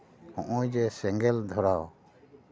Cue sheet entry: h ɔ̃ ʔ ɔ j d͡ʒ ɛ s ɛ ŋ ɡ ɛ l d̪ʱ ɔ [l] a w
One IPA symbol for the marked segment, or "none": ɾ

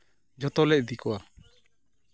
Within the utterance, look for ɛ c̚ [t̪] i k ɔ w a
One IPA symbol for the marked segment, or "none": d̪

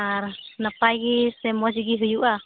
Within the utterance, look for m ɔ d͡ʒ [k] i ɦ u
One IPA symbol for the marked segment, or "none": ɡ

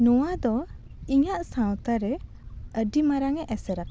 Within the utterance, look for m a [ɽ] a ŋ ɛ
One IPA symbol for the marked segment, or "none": ɾ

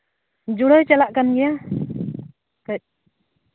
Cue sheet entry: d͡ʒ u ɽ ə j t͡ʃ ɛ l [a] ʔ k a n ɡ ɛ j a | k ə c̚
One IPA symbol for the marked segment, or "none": a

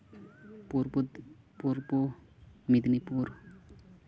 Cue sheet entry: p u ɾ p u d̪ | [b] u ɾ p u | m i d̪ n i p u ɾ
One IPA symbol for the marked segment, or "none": p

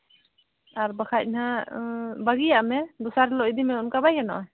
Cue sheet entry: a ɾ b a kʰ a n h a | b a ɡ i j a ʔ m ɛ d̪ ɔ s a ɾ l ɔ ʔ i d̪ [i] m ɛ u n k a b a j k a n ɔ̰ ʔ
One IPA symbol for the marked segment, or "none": i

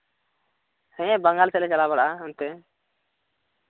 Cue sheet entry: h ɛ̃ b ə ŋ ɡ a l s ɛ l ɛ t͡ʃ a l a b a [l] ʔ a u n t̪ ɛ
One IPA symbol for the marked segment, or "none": ɽ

